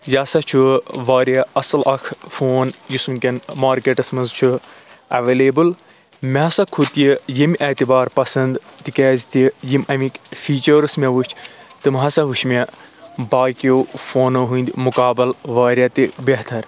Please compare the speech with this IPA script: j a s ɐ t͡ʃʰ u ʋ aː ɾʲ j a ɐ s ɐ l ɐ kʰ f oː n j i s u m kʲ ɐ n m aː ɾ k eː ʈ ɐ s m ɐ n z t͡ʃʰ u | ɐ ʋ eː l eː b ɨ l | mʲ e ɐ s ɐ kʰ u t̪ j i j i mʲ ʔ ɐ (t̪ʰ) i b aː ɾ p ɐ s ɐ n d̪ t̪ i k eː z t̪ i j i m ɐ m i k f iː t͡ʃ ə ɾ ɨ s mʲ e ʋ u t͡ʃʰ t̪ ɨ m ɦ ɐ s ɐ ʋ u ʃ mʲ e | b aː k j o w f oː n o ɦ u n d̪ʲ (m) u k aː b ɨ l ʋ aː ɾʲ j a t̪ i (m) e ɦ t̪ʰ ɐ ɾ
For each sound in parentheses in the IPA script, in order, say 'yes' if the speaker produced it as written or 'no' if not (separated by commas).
no, yes, no